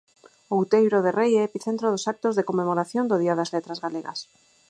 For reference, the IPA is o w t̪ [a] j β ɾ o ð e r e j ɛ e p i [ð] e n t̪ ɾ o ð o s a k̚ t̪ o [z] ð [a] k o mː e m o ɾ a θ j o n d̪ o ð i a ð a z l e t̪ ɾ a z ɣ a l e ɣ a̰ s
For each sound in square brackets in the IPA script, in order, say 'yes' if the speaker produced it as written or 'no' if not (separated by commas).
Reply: no, no, yes, no